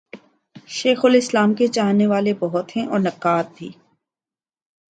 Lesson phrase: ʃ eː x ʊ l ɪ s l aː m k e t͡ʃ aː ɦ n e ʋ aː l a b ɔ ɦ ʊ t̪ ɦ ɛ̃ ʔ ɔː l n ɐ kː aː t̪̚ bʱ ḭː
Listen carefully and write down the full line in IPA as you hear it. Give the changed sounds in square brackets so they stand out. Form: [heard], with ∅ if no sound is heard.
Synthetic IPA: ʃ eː x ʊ l ɪ s l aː m k e t͡ʃ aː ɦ n e ʋ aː l [e] b ɔ ɦ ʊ t̪ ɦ ɛ̃ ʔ ɔː [ɾ] n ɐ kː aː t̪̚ bʱ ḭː